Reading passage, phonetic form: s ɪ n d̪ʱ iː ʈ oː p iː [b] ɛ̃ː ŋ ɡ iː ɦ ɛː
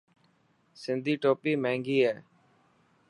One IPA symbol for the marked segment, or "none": m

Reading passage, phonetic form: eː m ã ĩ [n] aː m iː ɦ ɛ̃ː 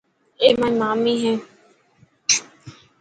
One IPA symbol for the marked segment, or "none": m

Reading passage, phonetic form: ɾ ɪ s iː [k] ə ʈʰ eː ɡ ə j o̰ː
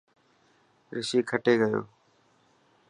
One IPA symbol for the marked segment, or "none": kʰ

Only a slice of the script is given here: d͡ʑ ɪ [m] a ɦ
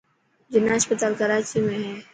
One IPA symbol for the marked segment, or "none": n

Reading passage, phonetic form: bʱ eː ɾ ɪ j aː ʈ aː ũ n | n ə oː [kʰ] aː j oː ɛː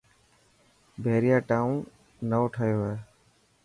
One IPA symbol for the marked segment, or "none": ʈʰ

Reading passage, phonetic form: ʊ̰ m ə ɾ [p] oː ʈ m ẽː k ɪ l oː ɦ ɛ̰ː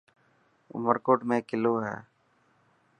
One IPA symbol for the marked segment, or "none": k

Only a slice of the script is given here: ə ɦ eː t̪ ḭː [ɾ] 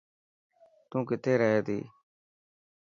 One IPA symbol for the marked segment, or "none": none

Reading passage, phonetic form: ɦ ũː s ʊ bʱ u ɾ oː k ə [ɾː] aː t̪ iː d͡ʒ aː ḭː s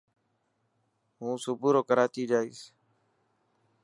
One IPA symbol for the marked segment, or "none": ɾ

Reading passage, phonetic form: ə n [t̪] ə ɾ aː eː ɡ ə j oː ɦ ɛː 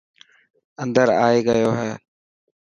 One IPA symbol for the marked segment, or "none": d̪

